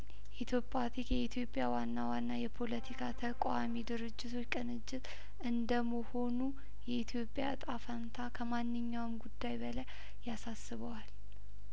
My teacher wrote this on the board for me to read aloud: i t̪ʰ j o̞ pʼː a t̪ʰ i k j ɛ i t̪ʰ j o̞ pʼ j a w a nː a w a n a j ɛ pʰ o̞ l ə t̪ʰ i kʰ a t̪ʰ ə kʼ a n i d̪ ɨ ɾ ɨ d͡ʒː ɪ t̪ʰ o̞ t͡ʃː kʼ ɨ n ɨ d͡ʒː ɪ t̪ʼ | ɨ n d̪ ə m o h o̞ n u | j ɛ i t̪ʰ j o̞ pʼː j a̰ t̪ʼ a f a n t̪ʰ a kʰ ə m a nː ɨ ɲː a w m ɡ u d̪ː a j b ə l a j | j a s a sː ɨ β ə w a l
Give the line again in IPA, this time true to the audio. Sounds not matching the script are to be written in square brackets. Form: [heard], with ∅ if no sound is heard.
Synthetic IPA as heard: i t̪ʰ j o̞ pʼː a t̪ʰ i k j ɛ i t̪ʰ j o̞ pʼ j a w a nː a w a [nː] a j ɛ pʰ o̞ l ə t̪ʰ i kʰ a t̪ʰ ə kʼ a [m] i d̪ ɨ ɾ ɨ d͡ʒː ɪ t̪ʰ o̞ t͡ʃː kʼ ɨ n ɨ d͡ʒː ɪ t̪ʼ | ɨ n d̪ ə m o h o̞ n u | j ɛ i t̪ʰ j o̞ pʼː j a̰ t̪ʼ a f a n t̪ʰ a kʰ ə m a nː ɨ ɲː a w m ɡ u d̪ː a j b ə l a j | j a s a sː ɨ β ə w a l

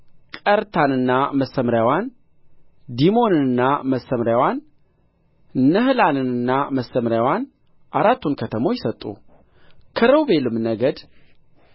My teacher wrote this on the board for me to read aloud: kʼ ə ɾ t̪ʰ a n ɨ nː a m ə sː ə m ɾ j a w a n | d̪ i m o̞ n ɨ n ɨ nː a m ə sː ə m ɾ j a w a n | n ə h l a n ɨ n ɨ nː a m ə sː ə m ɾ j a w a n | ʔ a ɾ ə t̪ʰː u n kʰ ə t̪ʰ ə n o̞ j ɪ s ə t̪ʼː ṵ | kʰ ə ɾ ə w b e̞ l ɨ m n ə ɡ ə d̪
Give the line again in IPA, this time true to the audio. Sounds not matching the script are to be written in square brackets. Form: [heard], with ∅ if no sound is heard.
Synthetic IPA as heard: kʼ ə ɾ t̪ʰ a n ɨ nː a m ə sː ə m ɾ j a w a n | d̪ i m o̞ n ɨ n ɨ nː a m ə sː ə m ɾ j a w a n | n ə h l a n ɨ n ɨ nː a m ə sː ə m ɾ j a w a n | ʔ a ɾ [a] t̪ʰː u n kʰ ə t̪ʰ ə [m] o̞ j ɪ s ə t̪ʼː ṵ | kʰ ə ɾ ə w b e̞ l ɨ m n ə ɡ ə d̪

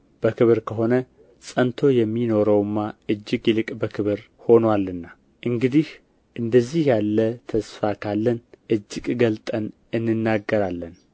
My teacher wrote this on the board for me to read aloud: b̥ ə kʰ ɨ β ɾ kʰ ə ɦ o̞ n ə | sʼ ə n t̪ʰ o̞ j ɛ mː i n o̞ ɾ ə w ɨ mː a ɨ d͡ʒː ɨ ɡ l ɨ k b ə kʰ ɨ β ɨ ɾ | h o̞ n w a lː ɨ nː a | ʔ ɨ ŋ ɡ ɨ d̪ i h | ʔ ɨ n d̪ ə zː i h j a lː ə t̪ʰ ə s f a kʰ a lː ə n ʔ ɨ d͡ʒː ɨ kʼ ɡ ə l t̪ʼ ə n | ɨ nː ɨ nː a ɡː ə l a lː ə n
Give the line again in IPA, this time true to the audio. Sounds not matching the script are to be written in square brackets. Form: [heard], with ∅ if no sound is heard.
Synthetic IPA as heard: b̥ ə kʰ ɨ β ɾ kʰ ə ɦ o̞ n ə | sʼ ə n t̪ʰ o̞ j ɛ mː i n o̞ ɾ ə w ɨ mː a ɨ d͡ʒː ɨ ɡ l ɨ [kʼ] b ə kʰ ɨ β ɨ ɾ | h o̞ n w a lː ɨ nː a | ʔ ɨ ŋ ɡ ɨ d̪ i h | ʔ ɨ n d̪ ə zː i h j a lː ə t̪ʰ ə s f a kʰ a lː ə n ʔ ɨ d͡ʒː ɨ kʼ ɡ ə l t̪ʼ ə n | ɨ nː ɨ nː a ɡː ə [ɾ] a lː ə n

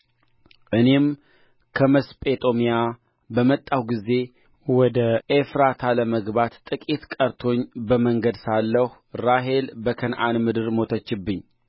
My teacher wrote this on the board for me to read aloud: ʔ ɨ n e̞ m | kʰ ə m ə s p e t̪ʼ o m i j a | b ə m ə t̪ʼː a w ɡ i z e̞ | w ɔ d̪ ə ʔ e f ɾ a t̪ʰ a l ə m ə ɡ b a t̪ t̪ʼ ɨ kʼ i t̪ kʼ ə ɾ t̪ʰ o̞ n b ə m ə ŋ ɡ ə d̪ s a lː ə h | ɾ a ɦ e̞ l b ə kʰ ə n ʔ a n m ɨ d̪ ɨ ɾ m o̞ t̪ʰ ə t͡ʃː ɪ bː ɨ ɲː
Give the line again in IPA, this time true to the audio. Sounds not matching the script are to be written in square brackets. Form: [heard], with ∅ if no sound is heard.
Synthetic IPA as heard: ʔ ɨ n e̞ m | kʰ ə m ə s [pʼ] e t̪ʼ o m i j a | b ə m ə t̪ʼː a w ɡ i z e̞ | w ɔ d̪ ə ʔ e f ɾ a t̪ʰ a l ə m ə ɡ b a t̪ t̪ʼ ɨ kʼ i t̪ kʼ ə ɾ t̪ʰ o̞ [ɲ] b ə m ə ŋ ɡ ə d̪ s a lː ə h | ɾ a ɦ e̞ l b ə kʰ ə n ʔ a n m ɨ d̪ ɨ ɾ m o̞ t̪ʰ ə t͡ʃː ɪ bː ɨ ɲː

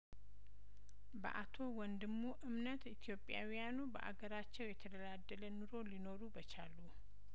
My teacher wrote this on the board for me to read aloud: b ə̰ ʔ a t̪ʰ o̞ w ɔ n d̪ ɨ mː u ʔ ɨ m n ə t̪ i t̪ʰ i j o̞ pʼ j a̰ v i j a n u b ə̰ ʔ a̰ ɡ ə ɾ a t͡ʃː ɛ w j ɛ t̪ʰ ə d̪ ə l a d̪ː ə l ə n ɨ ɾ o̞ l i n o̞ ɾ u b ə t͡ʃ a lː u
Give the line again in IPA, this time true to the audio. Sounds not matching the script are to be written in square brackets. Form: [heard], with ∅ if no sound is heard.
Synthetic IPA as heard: b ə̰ ʔ a t̪ʰ o̞ w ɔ n d̪ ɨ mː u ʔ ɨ m n ə t̪ i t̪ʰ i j o̞ pʼ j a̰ [w] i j a n u b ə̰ ʔ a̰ ɡ ə ɾ a t͡ʃː ɛ w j ɛ t̪ʰ ə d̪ ə l a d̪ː ə l ə n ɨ ɾ o̞ l i n o̞ ɾ u b ə t͡ʃ a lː u

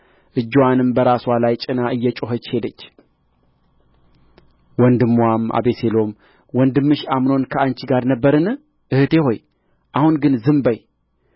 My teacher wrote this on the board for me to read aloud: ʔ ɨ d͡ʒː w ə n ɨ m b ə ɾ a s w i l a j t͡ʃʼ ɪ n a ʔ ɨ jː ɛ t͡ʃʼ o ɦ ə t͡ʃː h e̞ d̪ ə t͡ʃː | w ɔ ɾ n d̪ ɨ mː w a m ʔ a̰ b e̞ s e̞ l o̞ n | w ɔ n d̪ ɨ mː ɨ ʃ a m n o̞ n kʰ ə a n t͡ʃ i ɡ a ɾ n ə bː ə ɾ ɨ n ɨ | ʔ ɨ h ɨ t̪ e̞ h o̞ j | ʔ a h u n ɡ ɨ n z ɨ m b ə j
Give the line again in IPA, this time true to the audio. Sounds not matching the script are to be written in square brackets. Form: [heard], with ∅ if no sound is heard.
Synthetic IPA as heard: ʔ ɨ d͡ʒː w [a] n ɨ m b ə ɾ a s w [a] l a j t͡ʃʼ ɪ n a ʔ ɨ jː ɛ t͡ʃʼ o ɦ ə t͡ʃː h e̞ d̪ ə t͡ʃː | w ɔ [∅] n d̪ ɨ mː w a m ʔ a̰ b e̞ s e̞ l o̞ [m] | w ɔ n d̪ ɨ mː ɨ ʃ a m n o̞ n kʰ ə a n t͡ʃ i ɡ a ɾ n ə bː ə ɾ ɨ n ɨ | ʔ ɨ h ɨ t̪ e̞ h o̞ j | ʔ a h u n ɡ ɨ n z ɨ m b ə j

